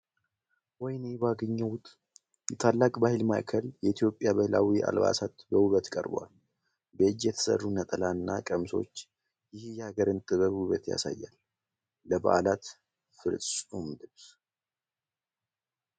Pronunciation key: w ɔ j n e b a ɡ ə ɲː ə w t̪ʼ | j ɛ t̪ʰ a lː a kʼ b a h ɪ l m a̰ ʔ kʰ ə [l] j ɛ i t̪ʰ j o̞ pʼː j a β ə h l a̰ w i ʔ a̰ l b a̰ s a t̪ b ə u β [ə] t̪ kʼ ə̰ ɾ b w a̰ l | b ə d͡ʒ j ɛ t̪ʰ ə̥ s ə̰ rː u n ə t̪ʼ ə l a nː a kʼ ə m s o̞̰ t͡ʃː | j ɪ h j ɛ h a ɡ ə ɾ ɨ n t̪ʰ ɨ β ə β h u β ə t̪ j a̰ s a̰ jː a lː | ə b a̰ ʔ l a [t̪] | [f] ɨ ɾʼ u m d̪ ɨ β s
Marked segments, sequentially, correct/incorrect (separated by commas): correct, correct, correct, correct